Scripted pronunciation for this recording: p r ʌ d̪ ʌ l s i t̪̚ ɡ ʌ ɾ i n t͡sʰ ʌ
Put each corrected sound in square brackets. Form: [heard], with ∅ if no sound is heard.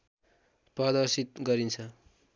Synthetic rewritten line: p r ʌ d̪ ʌ [r] s i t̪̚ ɡ ʌ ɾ i n t͡sʰ ʌ

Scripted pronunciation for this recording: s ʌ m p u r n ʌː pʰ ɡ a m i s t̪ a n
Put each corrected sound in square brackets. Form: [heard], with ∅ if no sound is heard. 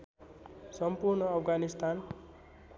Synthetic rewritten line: s ʌ m p u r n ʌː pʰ ɡ a [n] i s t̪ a n

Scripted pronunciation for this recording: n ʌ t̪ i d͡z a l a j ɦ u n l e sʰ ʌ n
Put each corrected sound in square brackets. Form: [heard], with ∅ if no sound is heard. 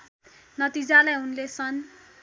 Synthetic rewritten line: n ʌ t̪ i d͡z a l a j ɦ u n l e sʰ ʌ n

